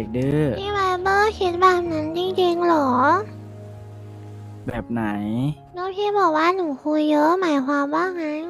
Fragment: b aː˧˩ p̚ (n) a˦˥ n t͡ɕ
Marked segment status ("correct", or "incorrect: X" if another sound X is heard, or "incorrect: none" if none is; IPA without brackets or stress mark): correct